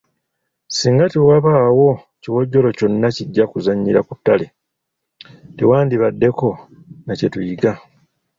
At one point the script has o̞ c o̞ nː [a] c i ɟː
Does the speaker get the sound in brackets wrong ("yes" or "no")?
no